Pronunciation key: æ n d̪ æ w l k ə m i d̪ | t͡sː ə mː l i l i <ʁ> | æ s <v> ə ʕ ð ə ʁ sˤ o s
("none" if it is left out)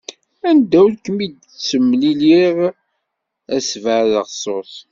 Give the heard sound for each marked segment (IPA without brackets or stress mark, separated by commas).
ʁ, v